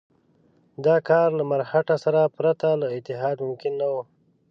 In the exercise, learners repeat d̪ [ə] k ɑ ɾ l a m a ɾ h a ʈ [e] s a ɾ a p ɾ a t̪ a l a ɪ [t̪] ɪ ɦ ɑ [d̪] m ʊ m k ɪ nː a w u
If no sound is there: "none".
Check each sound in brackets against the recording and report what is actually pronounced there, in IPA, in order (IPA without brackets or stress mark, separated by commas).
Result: ɑ, a, t̪, d̪